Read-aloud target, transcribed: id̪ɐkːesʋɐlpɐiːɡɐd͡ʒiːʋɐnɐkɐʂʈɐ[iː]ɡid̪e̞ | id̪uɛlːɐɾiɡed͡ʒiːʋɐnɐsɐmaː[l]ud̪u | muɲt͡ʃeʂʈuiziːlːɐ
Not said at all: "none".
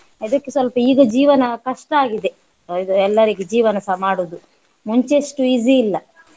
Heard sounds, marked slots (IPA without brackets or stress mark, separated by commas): aː, ɽ